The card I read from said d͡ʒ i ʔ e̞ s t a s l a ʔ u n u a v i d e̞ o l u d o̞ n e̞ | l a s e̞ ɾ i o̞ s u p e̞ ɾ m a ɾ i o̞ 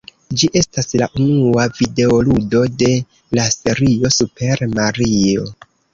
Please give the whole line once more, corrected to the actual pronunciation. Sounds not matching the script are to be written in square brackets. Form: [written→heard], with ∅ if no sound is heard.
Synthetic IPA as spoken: d͡ʒ i ʔ e̞ s t a s l a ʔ u n u a v i d e̞ o l u d o̞ [n→d] e̞ | l a s e̞ ɾ i o̞ s u p e̞ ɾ m a ɾ i o̞